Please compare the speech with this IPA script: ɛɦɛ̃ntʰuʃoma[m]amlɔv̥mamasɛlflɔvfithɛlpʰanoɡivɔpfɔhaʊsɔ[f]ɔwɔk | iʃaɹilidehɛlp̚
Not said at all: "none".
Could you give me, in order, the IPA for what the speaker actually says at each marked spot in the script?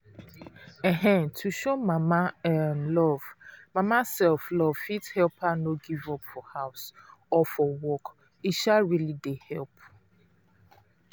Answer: m, f

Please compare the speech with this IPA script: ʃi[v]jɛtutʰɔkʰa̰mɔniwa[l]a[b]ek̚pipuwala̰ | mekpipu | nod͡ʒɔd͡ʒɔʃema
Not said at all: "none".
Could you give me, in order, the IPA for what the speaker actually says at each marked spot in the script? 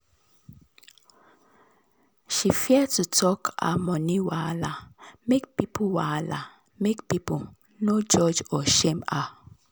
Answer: f, l, m

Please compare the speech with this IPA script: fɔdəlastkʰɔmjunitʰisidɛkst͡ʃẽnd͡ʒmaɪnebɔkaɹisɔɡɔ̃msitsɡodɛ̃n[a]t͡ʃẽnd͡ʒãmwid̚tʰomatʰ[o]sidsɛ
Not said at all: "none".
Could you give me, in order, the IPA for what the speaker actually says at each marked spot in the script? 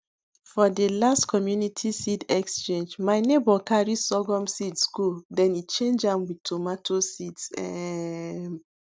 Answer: i, o

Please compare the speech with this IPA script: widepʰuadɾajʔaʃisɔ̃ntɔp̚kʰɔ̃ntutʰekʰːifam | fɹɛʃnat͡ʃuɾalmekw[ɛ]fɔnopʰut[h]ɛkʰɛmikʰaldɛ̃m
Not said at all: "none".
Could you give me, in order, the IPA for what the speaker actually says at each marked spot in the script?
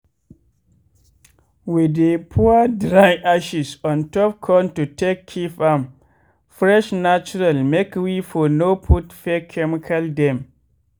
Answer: i, f

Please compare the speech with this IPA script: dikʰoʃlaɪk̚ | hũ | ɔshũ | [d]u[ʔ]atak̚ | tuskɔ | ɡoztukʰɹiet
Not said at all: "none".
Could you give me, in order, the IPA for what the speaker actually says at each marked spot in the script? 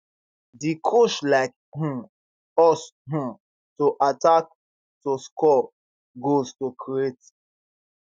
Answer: t, ʔ

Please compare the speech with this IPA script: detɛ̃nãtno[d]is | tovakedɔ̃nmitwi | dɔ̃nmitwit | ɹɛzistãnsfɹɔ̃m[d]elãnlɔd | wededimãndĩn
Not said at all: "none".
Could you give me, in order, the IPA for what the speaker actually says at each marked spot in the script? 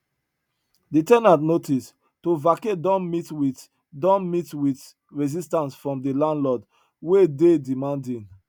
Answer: t, d

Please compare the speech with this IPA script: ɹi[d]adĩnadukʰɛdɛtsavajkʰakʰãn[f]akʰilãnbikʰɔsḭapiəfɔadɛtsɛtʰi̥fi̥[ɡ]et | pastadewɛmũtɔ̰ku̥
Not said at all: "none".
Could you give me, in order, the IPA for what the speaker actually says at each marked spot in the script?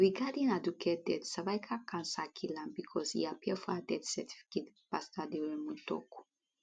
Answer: ɡ, s, k

